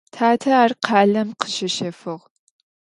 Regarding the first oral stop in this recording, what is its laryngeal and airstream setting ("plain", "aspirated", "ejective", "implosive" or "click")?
aspirated